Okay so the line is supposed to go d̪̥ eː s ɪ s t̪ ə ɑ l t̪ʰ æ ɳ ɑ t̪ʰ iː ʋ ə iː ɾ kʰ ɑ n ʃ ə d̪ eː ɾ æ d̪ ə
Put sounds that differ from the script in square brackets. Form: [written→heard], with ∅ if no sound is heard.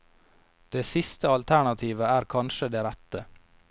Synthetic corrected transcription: d̪̥ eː s ɪ s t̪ ə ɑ l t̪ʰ æ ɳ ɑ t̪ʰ iː ʋ ə [iː→æː] ɾ kʰ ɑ n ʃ ə d̪ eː ɾ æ [d̪→t̪] ə